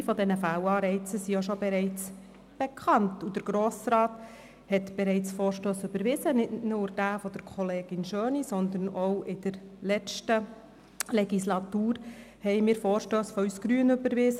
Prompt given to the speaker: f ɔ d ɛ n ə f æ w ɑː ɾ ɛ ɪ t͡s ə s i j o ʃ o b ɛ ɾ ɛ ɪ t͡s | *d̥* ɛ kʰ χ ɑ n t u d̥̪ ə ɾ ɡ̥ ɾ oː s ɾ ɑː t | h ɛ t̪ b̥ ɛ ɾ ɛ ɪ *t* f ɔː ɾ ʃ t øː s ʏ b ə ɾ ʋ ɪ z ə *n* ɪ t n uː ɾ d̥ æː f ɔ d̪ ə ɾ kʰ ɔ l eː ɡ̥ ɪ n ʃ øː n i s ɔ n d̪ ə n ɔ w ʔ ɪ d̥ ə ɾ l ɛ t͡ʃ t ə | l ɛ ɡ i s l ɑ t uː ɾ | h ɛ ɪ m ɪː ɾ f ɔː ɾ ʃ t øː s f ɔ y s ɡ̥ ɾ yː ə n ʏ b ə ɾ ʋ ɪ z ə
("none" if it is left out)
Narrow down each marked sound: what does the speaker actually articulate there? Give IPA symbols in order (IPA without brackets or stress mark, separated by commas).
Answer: b̥, t͡s, n